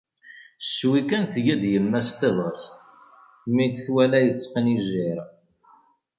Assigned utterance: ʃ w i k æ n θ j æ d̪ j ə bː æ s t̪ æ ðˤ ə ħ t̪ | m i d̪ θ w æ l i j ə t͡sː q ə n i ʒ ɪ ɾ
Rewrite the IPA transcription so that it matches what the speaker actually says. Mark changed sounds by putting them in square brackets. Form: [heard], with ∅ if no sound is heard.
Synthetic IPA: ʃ w i k æ n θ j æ d̪ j ə [mː] æ s t̪ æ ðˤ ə [s] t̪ | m i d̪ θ w æ l [æ] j ə t͡sː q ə n i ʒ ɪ ɾ